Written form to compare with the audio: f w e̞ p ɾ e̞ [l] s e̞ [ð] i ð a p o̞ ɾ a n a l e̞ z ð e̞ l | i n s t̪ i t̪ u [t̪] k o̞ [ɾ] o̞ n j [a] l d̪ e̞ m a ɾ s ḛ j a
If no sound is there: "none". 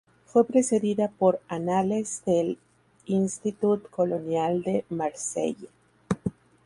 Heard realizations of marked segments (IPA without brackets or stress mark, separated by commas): none, ð, t̪, l, a